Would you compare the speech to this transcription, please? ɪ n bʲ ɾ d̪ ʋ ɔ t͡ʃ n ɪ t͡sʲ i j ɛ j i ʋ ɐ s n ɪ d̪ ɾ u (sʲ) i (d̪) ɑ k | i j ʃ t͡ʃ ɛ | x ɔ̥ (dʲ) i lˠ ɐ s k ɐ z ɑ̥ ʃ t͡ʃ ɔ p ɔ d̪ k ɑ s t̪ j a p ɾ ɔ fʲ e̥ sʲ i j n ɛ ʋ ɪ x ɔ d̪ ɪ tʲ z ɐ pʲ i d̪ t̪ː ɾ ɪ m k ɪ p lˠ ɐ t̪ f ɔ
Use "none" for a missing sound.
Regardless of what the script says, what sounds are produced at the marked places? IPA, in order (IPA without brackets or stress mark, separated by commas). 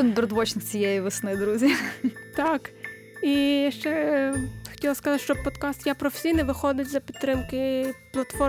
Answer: zʲ, t̪, tʲ